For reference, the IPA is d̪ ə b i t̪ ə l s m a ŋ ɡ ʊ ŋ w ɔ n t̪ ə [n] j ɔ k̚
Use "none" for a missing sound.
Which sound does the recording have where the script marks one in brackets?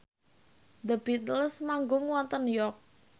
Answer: n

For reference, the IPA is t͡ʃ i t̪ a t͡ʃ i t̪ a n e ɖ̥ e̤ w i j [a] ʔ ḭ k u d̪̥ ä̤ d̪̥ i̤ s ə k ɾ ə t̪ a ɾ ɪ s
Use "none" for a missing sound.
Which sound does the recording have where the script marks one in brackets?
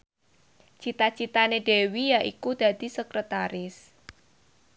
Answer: a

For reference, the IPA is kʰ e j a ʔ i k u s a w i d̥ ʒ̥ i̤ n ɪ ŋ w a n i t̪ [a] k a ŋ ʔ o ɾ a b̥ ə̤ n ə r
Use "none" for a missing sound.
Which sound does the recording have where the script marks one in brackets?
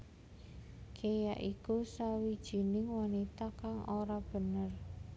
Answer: a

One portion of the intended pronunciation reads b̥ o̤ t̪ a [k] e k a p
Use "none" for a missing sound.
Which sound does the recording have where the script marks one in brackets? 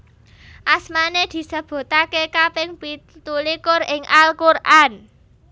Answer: k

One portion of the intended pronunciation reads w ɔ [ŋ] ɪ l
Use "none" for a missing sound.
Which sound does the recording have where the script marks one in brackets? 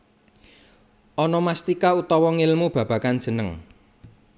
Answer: ŋ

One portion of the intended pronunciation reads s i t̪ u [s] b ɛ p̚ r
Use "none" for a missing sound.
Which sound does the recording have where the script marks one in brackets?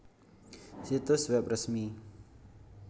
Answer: s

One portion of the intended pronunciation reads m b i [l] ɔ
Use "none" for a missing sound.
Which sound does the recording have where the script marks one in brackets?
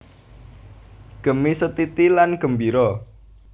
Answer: ɾ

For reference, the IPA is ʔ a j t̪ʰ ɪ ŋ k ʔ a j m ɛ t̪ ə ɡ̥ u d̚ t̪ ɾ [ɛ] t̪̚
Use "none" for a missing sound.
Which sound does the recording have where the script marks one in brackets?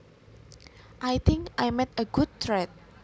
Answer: ɛ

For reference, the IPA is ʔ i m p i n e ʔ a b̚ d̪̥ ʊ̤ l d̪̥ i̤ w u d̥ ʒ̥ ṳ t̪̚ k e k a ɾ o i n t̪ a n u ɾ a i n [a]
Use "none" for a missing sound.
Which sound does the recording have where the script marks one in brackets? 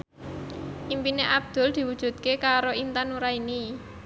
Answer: i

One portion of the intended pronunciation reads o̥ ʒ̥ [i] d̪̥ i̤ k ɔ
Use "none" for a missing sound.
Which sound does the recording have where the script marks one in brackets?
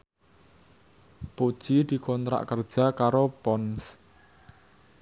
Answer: i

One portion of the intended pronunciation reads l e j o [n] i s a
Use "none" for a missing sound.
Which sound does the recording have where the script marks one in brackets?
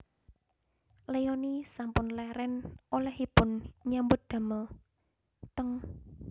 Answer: n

